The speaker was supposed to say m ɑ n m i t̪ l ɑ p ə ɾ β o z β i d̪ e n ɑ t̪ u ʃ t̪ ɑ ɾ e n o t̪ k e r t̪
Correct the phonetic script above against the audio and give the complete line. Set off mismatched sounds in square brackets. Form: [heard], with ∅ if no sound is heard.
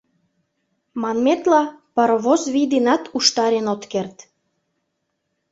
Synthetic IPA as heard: m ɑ n m [e] t̪ l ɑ p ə ɾ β o z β i d̪ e n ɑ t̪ u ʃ t̪ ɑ ɾ e n o t̪ k e r t̪